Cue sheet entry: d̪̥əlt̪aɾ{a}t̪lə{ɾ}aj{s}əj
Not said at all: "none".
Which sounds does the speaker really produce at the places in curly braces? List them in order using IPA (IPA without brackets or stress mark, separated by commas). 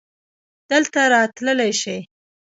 ɑ, l, ʃ